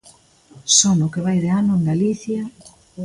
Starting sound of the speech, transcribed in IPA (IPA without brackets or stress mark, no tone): s